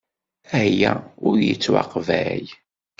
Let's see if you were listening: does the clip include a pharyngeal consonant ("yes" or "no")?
no